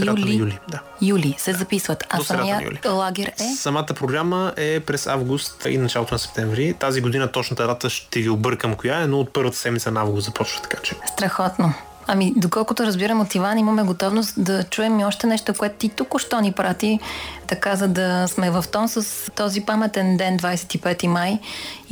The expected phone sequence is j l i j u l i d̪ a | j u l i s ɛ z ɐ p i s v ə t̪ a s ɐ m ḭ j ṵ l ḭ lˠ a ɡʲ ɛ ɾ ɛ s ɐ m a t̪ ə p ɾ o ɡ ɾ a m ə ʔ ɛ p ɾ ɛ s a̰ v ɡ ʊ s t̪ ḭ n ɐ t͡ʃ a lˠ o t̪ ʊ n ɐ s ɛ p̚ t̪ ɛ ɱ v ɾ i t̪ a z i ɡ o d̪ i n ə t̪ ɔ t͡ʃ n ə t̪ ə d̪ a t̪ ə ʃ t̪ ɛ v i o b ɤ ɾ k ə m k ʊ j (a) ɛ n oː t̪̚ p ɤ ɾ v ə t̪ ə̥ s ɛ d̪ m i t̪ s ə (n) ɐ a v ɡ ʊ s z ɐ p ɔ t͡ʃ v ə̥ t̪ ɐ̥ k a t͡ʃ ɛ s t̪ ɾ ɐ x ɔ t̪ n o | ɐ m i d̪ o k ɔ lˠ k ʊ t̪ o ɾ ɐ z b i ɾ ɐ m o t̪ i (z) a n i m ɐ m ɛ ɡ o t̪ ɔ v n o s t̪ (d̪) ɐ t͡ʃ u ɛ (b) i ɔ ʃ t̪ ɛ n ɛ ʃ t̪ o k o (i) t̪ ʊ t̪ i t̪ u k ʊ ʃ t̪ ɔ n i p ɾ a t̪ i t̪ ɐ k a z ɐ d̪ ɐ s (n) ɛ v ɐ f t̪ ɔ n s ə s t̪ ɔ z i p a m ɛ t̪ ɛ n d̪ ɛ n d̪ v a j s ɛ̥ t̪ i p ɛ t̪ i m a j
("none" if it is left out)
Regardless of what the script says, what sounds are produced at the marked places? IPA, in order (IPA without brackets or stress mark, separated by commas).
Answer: a, n, v, d̪, m, ɛ, m